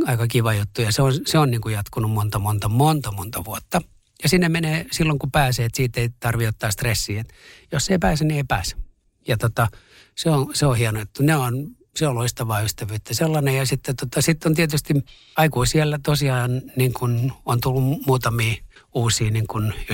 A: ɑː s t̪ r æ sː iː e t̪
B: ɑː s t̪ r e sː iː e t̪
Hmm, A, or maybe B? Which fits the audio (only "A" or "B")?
B